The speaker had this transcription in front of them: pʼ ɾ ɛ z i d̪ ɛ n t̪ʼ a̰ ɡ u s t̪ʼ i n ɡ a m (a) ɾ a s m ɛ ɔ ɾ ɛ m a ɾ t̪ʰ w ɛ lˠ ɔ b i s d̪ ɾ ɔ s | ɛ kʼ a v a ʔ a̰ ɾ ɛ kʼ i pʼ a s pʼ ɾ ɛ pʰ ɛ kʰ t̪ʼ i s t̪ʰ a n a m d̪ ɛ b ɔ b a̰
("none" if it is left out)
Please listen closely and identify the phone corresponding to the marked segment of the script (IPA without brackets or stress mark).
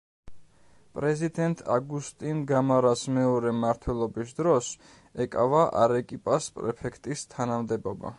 a